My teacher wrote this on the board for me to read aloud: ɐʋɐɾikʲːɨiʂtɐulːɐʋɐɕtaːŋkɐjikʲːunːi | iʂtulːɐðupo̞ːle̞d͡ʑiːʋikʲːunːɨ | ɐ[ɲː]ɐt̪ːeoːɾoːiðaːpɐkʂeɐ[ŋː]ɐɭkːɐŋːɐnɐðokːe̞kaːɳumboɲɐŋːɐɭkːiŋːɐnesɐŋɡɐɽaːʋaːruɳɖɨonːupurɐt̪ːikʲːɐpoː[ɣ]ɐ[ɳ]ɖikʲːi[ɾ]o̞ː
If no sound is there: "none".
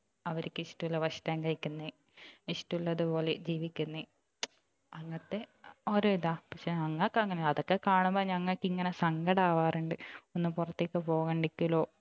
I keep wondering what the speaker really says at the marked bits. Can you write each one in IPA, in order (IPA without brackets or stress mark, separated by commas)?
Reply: ŋː, ŋː, ɣ, ɳ, l